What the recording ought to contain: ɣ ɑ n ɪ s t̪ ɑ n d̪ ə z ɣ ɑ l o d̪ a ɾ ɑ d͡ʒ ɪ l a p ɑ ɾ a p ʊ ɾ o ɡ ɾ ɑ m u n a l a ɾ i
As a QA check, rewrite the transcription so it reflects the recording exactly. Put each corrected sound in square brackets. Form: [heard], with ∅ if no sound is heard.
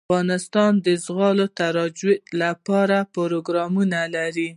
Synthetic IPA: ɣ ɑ n ɪ s t̪ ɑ n d̪ ə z ɣ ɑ l o [t̪] a ɾ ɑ d͡ʒ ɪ l a p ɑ ɾ a p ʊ ɾ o ɡ ɾ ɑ m u n a l a ɾ i